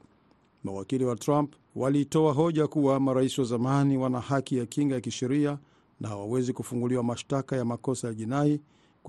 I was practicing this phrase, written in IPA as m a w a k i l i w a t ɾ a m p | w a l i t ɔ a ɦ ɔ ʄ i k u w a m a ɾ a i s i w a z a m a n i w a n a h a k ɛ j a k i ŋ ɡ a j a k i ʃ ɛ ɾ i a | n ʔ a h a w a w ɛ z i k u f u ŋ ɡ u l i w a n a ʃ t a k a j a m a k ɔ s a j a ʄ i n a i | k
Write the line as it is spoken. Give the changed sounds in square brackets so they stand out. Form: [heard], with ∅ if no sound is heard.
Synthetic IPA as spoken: m a w a k i l i w a t ɾ a m p | w a l i t ɔ a ɦ ɔ ʄ [a] k u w a m a ɾ a i s i w a z a m a n i w a n a h a k [i] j a k i ŋ ɡ a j a k i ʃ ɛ ɾ i a | n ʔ a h a w a w ɛ z i k u f u ŋ ɡ u l i w a [m] a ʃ t a k a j a m a k ɔ s a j a ʄ i n a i | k